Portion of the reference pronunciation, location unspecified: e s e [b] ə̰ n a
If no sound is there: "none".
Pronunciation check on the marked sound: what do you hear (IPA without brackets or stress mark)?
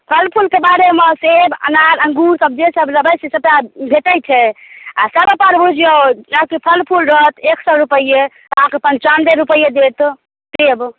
b